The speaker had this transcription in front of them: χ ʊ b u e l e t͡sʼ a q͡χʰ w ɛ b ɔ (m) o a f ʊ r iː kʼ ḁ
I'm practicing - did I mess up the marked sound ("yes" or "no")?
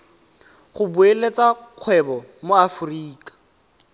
no